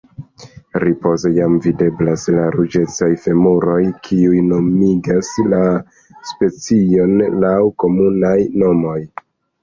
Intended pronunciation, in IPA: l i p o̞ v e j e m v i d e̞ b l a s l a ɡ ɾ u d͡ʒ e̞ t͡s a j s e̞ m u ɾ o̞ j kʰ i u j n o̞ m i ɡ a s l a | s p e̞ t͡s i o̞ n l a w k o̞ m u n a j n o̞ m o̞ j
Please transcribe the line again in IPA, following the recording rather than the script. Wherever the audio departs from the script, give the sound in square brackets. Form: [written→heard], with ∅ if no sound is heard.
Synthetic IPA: [l→ɾ] i p o̞ [v→z] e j [e→a] m v i d e̞ b l a s l a [ɡ→∅] ɾ u d͡ʒ e̞ t͡s a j [s→f] e̞ m u ɾ o̞ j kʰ i u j n o̞ m i ɡ a s l a | s p e̞ t͡s i o̞ n l a w k o̞ m u n a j n o̞ m o̞ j